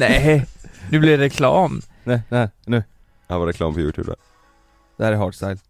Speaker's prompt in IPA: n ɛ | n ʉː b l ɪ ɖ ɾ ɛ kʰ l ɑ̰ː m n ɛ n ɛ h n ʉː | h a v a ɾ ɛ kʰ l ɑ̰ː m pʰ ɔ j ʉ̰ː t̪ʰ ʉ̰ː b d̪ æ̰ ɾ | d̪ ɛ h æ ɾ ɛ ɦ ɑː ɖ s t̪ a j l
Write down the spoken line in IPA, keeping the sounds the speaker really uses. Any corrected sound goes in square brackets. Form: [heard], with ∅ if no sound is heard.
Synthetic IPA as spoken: n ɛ | n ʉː b l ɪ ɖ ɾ ɛ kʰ l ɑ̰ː m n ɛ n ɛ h n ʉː | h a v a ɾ ɛ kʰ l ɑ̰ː m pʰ ɔ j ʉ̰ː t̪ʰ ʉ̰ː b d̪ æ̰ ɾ | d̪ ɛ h æ ɾ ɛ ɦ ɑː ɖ s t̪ a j l